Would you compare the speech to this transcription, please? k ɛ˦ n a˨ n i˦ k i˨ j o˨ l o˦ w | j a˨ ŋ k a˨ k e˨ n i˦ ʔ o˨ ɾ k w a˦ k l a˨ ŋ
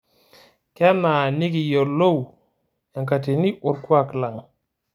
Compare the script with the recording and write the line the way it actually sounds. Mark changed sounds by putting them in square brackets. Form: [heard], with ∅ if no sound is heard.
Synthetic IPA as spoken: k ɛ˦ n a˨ n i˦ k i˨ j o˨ l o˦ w | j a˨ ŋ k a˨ [t] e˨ n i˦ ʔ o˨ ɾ k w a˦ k l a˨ ŋ